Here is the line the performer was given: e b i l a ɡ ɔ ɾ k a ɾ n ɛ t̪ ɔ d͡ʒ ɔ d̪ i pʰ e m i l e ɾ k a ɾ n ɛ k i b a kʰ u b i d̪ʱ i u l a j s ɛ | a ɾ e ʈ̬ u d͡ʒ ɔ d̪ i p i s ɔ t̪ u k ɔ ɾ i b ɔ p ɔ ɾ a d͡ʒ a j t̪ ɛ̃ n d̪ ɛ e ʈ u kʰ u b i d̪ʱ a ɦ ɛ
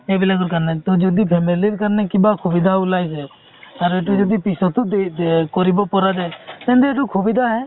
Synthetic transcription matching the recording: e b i l a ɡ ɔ ɾ k a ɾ n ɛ t̪ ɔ d͡ʒ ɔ d̪ i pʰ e m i l i ɾ k a ɾ n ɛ k i b a kʰ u b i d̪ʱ a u l a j s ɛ | a ɾ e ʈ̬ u d͡ʒ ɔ d̪ i p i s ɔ t̪ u k ɔ ɾ i b ɔ p ɔ ɾ a d͡ʒ a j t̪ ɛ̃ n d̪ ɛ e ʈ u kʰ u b i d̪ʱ a ɦ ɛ